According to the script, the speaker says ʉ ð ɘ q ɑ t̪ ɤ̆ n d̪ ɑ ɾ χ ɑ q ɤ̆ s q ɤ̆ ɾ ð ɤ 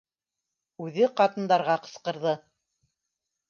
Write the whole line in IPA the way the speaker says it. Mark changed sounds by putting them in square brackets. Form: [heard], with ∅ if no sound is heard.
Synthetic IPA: ʉ ð ɘ q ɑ t̪ ɤ̆ n d̪ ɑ ɾ [ʁ] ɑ q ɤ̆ s q ɤ̆ ɾ ð ɤ